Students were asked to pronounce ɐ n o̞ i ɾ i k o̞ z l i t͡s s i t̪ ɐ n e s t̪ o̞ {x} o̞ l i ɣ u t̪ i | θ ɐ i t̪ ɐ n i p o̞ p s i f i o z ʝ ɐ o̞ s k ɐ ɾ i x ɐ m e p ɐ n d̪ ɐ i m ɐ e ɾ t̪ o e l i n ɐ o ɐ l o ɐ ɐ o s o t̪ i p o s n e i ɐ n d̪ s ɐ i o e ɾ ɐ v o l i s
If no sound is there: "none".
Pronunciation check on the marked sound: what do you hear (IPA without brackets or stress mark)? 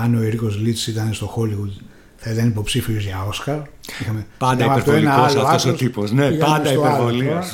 x